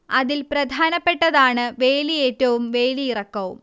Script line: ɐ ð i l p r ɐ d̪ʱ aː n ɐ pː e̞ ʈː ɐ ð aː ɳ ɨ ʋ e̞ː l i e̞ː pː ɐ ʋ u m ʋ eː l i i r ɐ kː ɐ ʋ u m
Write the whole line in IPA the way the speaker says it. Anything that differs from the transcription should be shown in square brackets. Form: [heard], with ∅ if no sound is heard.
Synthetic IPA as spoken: ɐ ð i l p r ɐ d̪ʱ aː n ɐ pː e̞ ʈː ɐ ð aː ɳ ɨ ʋ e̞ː l i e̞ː [tː] ɐ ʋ u m ʋ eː l i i r ɐ kː ɐ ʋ u m